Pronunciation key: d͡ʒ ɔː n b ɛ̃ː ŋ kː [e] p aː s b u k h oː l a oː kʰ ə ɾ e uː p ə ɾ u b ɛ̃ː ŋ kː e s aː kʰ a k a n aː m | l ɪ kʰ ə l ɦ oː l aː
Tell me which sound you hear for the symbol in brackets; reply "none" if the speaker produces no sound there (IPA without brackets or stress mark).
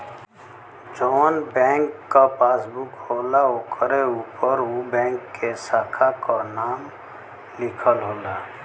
a